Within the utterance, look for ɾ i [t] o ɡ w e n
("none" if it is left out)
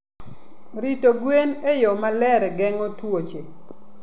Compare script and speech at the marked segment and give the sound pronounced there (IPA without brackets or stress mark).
t